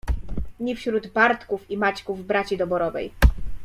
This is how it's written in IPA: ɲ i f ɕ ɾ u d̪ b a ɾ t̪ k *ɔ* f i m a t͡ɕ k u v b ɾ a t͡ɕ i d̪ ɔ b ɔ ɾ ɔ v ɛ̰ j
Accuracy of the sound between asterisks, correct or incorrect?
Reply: incorrect